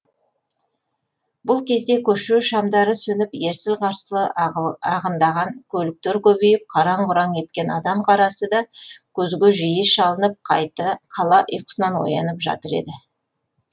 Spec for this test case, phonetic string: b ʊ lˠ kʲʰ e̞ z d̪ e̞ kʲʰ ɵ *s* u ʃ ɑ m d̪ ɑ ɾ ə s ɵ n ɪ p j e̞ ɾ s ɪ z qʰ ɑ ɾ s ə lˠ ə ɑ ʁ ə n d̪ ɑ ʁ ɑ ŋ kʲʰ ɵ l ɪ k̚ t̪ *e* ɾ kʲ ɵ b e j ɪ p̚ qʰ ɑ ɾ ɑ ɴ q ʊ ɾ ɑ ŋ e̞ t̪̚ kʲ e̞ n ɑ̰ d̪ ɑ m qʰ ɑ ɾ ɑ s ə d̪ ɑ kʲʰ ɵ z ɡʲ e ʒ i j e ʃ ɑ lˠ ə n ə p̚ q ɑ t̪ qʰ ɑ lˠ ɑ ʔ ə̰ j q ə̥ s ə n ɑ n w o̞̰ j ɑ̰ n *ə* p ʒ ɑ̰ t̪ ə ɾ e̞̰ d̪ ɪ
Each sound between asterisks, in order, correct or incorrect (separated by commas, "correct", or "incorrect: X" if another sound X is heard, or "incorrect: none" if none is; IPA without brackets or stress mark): incorrect: ʃ, correct, correct